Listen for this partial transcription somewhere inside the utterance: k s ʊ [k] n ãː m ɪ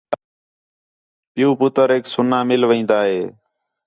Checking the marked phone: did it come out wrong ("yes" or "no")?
yes